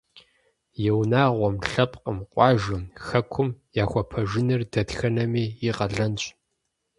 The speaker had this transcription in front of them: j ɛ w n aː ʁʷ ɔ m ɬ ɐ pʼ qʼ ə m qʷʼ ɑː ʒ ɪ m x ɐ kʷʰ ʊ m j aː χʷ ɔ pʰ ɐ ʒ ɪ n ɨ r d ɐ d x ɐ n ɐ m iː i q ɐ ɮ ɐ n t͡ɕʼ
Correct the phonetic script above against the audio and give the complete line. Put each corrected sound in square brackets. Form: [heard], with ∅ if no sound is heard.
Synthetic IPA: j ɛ w n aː ʁʷ ɔ m ɬ ɐ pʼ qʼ ə m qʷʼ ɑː ʒ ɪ m x ɐ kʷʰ ʊ m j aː [xʷ] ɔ pʰ ɐ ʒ ɪ n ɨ r d ɐ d x ɐ n ɐ m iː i q ɐ ɮ ɐ n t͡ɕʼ